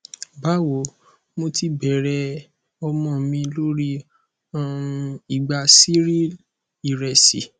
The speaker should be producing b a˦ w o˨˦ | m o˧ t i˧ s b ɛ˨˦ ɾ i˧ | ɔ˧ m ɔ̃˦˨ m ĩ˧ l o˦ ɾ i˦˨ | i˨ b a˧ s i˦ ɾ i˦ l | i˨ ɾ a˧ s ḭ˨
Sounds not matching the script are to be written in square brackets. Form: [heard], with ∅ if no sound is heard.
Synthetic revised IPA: b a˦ w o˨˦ | m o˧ t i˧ [∅] b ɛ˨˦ ɾ [ɛ˧] | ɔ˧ m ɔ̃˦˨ m ĩ˧ l o˦ ɾ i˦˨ | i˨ [ɡ͡b] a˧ s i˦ ɾ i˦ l | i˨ ɾ [ɛ˧] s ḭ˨

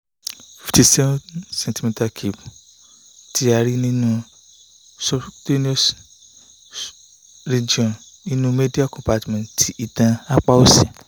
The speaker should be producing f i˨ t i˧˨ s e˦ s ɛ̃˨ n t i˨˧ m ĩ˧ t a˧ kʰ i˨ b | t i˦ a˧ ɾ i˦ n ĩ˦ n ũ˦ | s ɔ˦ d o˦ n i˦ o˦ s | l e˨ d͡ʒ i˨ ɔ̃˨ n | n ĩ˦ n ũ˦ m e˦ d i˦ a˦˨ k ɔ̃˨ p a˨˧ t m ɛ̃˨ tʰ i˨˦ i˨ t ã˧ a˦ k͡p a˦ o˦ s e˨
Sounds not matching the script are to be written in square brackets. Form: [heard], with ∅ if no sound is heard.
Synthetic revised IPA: f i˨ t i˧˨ s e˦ s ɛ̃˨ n t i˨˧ m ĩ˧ t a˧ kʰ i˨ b | t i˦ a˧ ɾ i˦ n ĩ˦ n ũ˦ | s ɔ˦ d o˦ n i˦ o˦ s | [ɾ] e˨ d͡ʒ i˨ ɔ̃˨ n | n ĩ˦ n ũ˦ m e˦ d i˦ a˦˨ k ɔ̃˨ p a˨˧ t m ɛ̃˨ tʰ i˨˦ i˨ t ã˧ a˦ k͡p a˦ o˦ s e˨

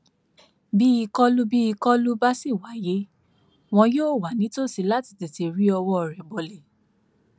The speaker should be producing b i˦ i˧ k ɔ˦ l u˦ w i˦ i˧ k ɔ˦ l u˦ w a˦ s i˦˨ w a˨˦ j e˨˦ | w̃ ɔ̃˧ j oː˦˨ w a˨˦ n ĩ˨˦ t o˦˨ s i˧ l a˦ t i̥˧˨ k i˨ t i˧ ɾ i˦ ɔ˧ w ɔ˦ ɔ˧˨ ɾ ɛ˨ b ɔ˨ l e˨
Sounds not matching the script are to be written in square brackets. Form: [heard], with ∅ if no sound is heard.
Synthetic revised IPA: b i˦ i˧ k ɔ˦ l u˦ [b] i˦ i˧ k ɔ˦ l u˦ [b] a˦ s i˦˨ w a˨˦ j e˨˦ | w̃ ɔ̃˧ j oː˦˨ w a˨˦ n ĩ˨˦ t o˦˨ s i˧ l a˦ t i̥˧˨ [t] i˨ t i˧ ɾ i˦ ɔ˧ w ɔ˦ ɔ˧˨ ɾ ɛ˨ b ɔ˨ l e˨

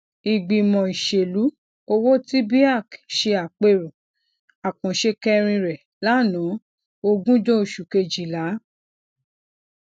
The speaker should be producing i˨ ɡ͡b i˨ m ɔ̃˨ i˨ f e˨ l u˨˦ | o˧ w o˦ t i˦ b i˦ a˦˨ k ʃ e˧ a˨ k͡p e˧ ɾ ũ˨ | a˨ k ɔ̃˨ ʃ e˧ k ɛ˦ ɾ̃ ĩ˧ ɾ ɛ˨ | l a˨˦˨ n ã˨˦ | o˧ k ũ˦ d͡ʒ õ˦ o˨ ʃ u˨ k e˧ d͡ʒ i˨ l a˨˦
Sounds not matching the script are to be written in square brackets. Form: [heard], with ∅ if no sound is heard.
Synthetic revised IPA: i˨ ɡ͡b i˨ m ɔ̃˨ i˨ [ʃ] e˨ l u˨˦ | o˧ w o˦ t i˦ b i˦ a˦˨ k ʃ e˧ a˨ k͡p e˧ ɾ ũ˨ | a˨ k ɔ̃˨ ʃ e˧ k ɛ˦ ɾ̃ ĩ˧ ɾ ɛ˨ | l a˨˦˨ n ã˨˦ | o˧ [ɡ] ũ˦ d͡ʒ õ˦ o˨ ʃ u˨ k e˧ d͡ʒ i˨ l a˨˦

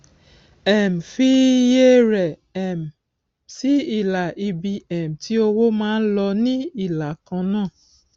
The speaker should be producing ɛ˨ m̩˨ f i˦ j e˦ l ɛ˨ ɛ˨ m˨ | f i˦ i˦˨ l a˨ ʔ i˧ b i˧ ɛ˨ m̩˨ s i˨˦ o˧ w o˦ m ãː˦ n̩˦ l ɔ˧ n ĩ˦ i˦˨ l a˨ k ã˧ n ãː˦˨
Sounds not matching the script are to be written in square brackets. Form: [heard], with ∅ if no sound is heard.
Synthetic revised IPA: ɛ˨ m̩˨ f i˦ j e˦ [ɾ] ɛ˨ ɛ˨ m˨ | [s] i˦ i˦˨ l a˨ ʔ i˧ b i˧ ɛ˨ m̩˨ [t] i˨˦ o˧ w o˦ m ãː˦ n̩˦ l ɔ˧ n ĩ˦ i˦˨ l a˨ k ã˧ n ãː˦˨

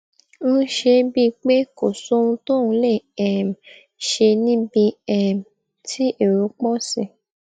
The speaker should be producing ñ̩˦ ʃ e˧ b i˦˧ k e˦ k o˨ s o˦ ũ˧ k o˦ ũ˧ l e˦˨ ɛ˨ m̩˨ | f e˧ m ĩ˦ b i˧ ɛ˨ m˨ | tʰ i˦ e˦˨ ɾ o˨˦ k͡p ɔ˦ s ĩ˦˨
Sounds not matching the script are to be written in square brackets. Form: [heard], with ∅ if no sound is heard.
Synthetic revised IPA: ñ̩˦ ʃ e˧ b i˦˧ [k͡p] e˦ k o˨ s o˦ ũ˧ [t] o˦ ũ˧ l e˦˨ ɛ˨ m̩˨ | [ʃ] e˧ [n] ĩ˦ b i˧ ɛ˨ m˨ | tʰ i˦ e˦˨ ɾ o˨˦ k͡p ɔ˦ s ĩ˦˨

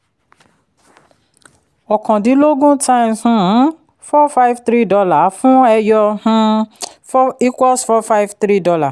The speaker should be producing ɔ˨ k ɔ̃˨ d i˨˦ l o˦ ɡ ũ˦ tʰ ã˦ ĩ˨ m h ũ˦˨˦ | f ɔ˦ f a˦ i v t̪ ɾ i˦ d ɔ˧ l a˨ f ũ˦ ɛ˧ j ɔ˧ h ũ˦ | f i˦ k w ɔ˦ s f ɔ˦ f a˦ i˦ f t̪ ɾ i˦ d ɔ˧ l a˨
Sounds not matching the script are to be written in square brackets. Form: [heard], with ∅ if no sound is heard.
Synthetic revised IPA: ɔ˨ k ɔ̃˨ d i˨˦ l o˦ ɡ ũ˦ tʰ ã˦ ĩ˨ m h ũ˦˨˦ | f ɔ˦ f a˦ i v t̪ ɾ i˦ d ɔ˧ l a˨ f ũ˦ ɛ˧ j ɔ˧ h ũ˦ | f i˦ k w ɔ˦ s f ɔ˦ f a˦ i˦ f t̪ ɾ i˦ d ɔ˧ l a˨

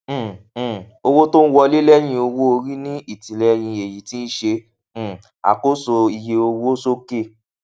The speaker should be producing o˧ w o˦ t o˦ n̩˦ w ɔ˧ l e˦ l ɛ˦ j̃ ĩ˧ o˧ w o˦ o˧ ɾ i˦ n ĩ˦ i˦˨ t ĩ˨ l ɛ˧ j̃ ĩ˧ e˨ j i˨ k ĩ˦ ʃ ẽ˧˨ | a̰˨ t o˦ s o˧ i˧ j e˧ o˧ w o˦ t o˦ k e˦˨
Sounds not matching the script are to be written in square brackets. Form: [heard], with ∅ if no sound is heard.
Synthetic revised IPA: o˧ w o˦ t o˦ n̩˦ w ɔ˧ l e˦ l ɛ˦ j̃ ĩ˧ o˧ w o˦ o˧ ɾ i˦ n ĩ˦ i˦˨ t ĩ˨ l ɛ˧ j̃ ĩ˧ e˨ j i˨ [t] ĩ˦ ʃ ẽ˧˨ | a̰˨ [k] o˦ s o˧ i˧ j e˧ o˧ w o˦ [s] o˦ k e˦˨

